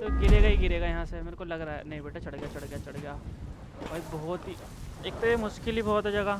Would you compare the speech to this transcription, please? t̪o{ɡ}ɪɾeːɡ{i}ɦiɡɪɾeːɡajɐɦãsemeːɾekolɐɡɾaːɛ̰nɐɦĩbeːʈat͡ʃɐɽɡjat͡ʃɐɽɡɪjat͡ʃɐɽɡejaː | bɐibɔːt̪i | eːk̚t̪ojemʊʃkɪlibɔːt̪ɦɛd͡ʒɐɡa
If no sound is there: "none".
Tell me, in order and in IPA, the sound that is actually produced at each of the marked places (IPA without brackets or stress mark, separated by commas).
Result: ɡ, a